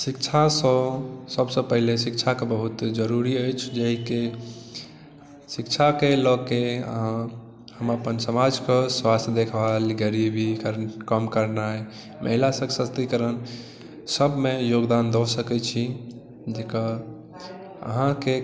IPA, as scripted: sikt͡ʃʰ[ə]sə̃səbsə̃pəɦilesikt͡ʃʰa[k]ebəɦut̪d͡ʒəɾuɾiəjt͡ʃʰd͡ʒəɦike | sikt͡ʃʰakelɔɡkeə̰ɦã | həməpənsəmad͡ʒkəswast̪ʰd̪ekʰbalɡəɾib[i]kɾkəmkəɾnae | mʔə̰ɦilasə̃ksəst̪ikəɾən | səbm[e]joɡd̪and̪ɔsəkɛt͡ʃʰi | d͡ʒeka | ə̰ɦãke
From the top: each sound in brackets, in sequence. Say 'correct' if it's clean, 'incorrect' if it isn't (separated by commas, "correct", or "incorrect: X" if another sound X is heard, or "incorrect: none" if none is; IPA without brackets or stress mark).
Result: incorrect: a, correct, correct, correct